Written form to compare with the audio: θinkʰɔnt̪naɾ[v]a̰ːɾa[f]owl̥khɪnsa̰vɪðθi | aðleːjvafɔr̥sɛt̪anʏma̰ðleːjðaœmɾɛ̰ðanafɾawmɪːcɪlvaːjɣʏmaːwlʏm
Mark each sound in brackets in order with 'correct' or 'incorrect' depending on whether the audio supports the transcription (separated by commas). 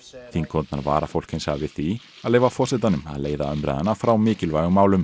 correct, correct